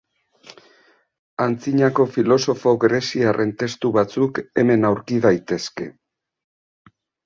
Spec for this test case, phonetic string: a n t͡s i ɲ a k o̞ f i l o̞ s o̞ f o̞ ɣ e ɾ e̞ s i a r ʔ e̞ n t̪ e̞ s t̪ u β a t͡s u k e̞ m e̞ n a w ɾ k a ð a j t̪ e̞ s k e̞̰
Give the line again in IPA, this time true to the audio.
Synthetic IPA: a n t͡s i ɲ a k o̞ f i l o̞ s o̞ f o̞ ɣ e ɾ e̞ s i a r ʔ e̞ n t̪ e̞ s t̪ u β a t͡s u k e̞ m e̞ n a w ɾ k i ð a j t̪ e̞ s k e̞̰